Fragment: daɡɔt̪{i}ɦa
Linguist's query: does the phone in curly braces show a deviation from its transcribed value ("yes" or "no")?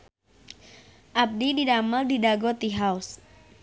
no